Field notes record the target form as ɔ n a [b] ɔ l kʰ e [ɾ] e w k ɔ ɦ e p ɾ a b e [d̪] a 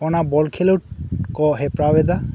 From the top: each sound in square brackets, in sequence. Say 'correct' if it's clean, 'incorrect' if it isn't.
correct, incorrect: l, correct

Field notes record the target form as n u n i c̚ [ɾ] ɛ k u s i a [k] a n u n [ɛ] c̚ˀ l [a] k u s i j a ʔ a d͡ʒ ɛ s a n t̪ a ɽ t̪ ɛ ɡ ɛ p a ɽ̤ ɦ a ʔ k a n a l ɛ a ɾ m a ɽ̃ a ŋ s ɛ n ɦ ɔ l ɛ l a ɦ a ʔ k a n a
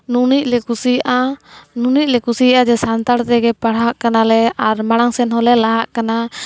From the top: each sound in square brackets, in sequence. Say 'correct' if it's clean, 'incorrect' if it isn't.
incorrect: l, incorrect: ʔ, incorrect: i, incorrect: ɛ

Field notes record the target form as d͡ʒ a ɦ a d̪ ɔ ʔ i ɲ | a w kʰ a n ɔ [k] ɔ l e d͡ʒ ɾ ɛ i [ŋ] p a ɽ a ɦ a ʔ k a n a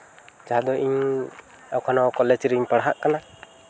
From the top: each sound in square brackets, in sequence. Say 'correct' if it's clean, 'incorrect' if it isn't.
correct, incorrect: ɲ

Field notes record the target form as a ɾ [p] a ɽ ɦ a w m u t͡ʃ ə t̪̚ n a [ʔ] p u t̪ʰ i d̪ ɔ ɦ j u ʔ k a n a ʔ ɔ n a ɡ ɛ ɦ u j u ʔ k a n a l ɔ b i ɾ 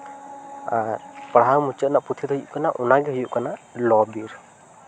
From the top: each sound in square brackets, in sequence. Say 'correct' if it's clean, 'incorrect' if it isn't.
correct, correct

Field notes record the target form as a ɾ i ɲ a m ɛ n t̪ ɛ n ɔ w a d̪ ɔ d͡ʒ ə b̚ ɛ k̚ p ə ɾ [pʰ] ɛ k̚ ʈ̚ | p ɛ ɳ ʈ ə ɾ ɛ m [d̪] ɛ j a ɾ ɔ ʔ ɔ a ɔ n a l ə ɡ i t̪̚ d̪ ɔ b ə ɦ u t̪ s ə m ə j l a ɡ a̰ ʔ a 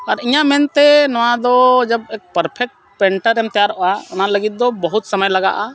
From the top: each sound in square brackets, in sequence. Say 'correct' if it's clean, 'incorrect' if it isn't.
correct, incorrect: t̪

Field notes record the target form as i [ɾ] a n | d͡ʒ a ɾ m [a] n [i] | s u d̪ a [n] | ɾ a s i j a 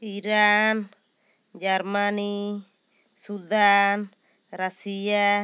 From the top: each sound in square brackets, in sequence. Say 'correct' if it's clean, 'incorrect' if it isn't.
correct, correct, correct, correct

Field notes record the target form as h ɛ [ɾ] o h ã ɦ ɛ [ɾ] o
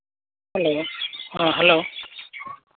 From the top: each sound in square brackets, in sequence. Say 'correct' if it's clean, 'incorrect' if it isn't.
incorrect: l, incorrect: l

